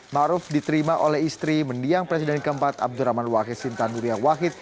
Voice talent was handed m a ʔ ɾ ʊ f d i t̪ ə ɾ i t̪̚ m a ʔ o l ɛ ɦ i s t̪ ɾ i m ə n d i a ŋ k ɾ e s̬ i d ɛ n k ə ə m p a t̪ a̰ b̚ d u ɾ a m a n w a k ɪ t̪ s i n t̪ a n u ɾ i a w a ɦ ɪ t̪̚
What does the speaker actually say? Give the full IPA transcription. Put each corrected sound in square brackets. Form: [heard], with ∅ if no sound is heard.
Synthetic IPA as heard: m a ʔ ɾ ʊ f d i t̪ ə ɾ i [∅] m a ʔ o l ɛ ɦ i s t̪ ɾ i m ə n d i a ŋ [p] ɾ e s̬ i d ɛ n k ə ə m p a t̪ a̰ b̚ d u ɾ a m a n w a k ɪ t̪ s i n t̪ a n u ɾ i a w a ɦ ɪ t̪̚

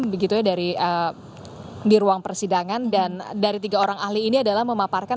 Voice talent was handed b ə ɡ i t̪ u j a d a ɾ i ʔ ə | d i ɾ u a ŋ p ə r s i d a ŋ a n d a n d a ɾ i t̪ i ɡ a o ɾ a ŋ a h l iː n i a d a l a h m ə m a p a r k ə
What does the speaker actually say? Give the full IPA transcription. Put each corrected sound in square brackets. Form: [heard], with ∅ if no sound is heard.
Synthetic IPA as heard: b ə ɡ i t̪ u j a d a ɾ i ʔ ə | d i ɾ u a ŋ p ə r s i d a ŋ a n d a n d a ɾ i t̪ i ɡ a o ɾ a ŋ a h l iː n i a d a l a h m ə m a p a r k [a]

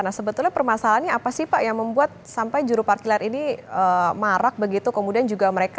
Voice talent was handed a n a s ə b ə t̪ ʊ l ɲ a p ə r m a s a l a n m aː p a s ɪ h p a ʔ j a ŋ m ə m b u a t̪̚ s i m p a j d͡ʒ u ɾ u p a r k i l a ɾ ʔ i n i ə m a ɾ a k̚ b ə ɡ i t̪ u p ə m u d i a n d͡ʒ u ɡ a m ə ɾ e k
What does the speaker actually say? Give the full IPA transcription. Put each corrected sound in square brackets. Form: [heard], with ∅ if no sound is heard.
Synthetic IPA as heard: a n a s ə b ə t̪ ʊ l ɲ a p ə r m a s a l a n [ɲ] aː p a s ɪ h p a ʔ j a ŋ m ə m b u a t̪̚ s [a] m p a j d͡ʒ u ɾ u p a r k i l a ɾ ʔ i n i ə m a ɾ a k̚ b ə ɡ i t̪ u [k] ə m u d i a n d͡ʒ u ɡ a m ə ɾ e k

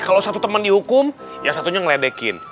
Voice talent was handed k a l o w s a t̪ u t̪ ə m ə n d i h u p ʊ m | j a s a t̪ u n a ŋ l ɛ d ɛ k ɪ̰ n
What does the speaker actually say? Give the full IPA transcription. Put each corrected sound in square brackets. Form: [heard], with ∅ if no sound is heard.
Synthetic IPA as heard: k a l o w s a t̪ u t̪ ə m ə n d i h u [k] ʊ m | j a s a t̪ u [ɲ] a ŋ l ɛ d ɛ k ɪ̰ n

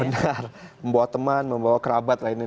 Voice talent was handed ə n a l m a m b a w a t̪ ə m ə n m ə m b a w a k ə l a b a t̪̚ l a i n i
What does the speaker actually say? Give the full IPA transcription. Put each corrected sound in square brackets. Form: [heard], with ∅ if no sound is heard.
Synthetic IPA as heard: ə n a [r] m [ə] m b a w a t̪ ə m [a] n m ə m b a w a k ə [ɾ] a b a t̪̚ l a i n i

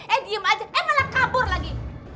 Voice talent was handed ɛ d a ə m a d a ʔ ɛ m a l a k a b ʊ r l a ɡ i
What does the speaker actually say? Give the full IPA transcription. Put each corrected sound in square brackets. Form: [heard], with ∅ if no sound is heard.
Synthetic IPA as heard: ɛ d [i] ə m a [d͡ʒ] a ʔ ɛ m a l a k a b ʊ r l a ɡ i

